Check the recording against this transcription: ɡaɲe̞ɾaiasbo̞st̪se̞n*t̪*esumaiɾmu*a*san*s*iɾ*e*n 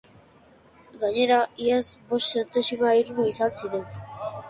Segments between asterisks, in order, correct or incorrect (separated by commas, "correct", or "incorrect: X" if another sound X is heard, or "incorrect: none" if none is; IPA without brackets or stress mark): correct, incorrect: i, correct, correct